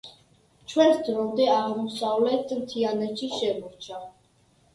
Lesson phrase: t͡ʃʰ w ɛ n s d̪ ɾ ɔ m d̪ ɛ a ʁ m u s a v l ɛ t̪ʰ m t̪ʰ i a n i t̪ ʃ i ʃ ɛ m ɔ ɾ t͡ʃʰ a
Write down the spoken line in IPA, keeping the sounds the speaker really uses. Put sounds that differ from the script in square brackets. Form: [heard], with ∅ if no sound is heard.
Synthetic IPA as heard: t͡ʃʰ w ɛ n s d̪ ɾ ɔ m d̪ ɛ a ʁ m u s a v l ɛ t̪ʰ m t̪ʰ i a n [ɛ] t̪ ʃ i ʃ ɛ m ɔ ɾ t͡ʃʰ a

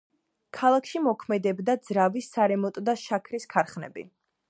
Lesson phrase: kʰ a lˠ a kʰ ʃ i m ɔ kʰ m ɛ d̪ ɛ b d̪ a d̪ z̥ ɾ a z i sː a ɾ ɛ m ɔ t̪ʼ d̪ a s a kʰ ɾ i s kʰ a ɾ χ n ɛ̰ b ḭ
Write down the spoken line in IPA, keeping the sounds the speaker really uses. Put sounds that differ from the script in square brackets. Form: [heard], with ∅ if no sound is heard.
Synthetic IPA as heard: kʰ a lˠ a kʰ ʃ i m ɔ kʰ m ɛ d̪ ɛ b d̪ a d̪ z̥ ɾ a [v] i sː a ɾ ɛ m ɔ t̪ʼ d̪ a [ʃ] a kʰ ɾ i s kʰ a ɾ χ n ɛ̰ b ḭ

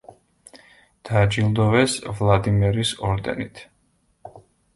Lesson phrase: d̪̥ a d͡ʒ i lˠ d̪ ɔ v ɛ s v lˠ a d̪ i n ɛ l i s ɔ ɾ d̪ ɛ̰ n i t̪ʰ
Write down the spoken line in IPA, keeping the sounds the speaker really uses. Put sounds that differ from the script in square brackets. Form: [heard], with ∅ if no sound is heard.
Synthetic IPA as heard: d̪̥ a d͡ʒ i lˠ d̪ ɔ v ɛ s v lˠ a d̪ i [m] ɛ [ɾ] i s ɔ ɾ d̪ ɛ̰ n i t̪ʰ

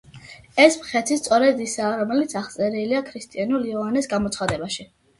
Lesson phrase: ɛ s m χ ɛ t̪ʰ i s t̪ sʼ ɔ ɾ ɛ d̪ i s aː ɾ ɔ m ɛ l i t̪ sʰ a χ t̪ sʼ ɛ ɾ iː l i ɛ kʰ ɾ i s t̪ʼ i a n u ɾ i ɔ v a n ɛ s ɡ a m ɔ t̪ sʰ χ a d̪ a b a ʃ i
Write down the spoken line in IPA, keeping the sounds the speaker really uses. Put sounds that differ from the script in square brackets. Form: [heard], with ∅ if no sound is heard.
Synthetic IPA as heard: ɛ s m χ ɛ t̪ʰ i s t̪ sʼ ɔ ɾ ɛ d̪ i s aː ɾ ɔ m ɛ l i t̪ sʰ a χ t̪ sʼ ɛ ɾ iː l i [a] kʰ ɾ i s t̪ʼ i a n u [l] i ɔ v a n ɛ s ɡ a m ɔ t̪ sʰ χ a d̪ [ɛ] b a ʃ i

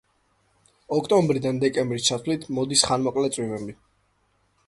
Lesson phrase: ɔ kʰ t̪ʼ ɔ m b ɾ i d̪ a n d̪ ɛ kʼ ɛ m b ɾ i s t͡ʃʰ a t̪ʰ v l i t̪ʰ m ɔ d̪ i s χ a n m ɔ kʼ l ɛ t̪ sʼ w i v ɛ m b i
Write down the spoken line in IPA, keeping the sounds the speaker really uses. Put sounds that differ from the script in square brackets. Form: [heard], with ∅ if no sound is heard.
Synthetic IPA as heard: ɔ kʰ t̪ʼ ɔ m b ɾ i d̪ a n d̪ ɛ kʼ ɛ m b ɾ i s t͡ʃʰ a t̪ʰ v l i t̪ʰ m ɔ d̪ i s χ a n m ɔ kʼ l ɛ t̪ sʼ w i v ɛ m b i

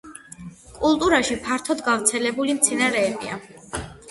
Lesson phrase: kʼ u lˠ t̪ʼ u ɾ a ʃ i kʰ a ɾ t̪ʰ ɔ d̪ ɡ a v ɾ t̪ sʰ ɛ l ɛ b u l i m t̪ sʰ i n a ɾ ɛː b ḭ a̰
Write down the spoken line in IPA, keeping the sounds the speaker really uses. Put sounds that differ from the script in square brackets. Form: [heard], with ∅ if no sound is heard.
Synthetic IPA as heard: kʼ u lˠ t̪ʼ u ɾ a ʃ i [pʰ] a ɾ t̪ʰ ɔ d̪ ɡ a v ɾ t̪ sʰ ɛ l ɛ b u l i m t̪ sʰ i n a ɾ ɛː b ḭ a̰

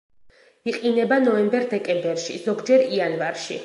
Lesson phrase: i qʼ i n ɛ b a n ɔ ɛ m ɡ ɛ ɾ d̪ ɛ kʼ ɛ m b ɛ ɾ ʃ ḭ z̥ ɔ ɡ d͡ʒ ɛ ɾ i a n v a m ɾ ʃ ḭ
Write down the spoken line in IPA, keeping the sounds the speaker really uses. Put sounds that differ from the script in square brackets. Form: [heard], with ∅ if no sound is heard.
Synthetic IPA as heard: i qʼ i n ɛ b a n ɔ ɛ m [b] ɛ ɾ d̪ ɛ kʼ ɛ m b ɛ ɾ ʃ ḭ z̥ ɔ ɡ d͡ʒ ɛ ɾ i a n v a [∅] ɾ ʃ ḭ

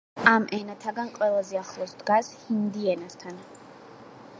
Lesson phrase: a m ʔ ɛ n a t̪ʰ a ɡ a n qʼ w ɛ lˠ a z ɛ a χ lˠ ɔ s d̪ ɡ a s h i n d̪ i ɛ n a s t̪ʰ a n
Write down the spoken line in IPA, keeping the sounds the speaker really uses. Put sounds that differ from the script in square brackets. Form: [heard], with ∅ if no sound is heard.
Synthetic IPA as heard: a m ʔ ɛ n a t̪ʰ a ɡ a n qʼ w ɛ lˠ a z ɛ a χ lˠ ɔ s d̪ ɡ a s h i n d̪ i ɛ n a s t̪ʰ a n

